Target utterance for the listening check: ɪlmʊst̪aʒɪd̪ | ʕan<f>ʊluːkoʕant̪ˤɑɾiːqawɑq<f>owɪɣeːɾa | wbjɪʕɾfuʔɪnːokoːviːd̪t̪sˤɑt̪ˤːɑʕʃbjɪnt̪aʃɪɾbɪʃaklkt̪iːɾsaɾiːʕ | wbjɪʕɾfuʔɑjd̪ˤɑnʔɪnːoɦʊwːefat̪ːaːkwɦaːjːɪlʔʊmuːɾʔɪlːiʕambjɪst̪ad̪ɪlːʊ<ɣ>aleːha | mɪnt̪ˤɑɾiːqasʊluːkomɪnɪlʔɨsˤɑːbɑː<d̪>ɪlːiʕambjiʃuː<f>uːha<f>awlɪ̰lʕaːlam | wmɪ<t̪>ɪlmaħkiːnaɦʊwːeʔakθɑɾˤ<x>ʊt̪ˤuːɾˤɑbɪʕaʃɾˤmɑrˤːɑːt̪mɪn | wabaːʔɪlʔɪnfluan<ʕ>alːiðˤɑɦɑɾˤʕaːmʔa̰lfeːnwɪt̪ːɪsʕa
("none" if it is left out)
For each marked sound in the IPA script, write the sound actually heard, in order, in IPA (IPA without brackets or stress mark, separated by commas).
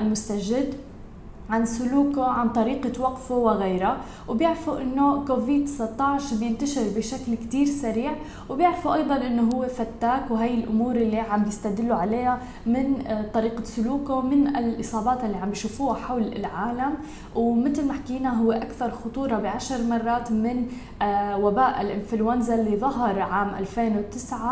s, f, ʕ, t̪, f, ħ, t̪, x, z